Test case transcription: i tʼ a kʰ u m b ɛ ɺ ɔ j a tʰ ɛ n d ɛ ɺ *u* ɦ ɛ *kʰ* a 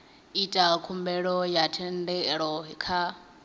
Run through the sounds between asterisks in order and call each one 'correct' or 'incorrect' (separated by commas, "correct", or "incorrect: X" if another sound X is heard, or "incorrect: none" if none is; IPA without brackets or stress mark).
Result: incorrect: ɔ, correct